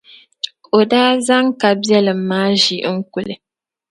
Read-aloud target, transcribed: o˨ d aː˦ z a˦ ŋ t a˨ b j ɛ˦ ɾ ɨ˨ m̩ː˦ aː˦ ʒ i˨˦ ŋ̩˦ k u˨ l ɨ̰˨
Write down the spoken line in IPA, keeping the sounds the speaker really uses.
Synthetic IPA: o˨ d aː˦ z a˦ ŋ k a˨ b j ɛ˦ l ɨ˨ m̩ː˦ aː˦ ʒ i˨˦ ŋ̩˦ k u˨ l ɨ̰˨

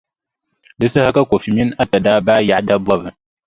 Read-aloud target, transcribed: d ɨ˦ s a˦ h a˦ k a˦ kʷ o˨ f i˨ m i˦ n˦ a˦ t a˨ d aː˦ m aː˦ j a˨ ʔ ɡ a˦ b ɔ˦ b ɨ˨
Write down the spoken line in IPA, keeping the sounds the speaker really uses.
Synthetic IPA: d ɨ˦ s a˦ h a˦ k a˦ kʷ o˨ f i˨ m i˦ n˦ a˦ t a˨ d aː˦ b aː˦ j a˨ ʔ d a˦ b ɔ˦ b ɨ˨

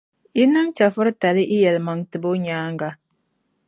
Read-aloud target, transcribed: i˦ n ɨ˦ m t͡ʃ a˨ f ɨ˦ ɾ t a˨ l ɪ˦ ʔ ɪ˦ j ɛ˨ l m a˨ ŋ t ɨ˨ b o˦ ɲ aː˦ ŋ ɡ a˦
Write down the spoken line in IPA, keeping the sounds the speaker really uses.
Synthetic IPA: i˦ n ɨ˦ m t͡ʃ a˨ f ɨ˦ ɾ t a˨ l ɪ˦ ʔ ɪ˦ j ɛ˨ l m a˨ ŋ t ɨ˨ b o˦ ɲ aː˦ ŋ ɡ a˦

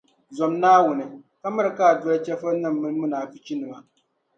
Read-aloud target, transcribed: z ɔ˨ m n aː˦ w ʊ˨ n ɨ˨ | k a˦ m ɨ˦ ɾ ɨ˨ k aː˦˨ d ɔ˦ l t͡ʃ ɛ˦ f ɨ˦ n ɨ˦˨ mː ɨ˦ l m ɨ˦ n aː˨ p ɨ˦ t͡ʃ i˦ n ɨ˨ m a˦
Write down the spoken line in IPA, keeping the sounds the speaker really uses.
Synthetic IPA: z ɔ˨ m n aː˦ w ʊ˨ n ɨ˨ | k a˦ m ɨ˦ ɾ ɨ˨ k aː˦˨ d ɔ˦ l t͡ʃ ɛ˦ f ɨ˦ n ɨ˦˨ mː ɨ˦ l m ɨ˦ n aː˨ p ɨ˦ t͡ʃ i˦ n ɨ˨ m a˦

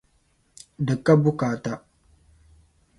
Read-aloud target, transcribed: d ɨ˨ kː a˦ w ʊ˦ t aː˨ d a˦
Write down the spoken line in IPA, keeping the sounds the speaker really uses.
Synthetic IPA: d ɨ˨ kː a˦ b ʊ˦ k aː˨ t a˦

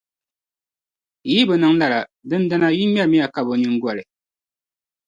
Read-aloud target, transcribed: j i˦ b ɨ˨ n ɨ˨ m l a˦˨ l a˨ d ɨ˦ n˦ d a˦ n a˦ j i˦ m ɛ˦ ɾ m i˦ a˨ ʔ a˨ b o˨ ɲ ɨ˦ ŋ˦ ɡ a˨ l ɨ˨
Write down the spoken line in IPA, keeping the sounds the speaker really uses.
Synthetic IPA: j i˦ b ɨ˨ n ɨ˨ ŋ l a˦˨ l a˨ d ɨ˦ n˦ d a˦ n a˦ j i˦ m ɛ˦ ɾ m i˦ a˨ k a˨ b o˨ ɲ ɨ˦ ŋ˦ ɡ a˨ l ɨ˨

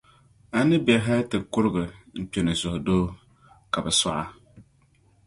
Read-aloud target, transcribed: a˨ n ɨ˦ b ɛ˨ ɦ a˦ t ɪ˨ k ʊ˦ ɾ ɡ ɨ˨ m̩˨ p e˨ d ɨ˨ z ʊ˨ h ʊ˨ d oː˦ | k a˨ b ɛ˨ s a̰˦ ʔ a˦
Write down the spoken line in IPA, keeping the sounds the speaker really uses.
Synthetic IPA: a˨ n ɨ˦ b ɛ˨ ɦ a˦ t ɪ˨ k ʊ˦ ɾ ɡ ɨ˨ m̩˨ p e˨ n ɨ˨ z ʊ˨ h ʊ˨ d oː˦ | k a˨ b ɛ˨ s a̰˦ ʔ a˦

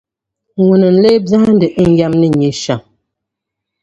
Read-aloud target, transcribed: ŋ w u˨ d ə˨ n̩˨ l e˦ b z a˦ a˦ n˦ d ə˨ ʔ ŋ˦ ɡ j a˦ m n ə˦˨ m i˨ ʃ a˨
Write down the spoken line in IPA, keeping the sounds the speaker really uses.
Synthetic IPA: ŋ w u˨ n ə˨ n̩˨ l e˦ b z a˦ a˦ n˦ d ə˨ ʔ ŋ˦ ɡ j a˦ m n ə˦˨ ɲ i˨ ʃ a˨

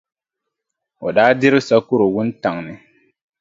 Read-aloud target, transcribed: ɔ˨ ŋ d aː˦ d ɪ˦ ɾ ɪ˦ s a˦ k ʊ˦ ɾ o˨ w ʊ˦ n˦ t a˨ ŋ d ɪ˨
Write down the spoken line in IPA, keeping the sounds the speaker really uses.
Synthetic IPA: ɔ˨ d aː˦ d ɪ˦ ɾ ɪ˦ s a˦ k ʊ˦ ɾ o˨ w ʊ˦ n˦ t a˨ ŋ n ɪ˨

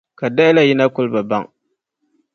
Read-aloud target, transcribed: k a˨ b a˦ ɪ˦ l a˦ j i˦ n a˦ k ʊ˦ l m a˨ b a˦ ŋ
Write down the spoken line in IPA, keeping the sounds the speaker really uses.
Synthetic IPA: k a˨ d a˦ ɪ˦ l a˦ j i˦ n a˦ k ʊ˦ l b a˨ b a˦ ŋ

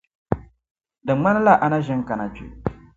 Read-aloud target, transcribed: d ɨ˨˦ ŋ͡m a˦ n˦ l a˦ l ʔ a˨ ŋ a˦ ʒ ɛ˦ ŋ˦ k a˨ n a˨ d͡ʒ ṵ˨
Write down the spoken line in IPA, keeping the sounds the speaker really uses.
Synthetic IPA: d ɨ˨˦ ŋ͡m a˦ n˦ l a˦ ʔ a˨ n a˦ ʒ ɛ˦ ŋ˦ k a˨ n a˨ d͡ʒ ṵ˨

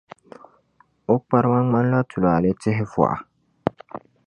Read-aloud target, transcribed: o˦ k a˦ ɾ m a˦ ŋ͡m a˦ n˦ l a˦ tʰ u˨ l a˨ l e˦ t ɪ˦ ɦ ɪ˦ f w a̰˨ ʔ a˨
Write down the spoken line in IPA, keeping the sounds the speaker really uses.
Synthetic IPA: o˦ k͡p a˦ ɾ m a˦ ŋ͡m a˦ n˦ l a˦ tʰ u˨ l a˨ l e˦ t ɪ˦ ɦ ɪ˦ f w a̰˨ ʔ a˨

